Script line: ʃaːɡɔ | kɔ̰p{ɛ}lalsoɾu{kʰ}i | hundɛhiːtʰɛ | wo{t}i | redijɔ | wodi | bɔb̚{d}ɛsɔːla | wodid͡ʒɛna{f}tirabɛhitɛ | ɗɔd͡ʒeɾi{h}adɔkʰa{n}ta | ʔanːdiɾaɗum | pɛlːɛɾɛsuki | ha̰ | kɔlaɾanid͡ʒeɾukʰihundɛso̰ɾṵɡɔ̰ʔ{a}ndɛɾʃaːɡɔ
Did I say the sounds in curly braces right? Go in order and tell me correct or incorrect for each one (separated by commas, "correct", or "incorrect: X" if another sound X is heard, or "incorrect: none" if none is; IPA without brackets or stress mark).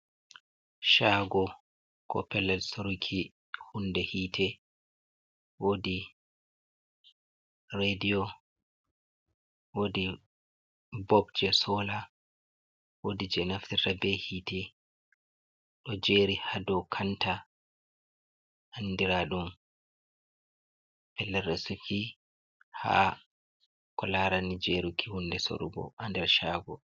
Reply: correct, correct, incorrect: d, incorrect: d͡ʒ, correct, correct, correct, correct